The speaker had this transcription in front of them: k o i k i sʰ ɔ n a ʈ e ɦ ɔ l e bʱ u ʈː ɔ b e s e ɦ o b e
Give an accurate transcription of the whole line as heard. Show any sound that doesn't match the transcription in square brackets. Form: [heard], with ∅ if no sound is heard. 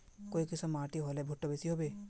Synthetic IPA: k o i k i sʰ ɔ [m] a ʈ [i] ɦ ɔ l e bʱ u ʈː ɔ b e s [i] ɦ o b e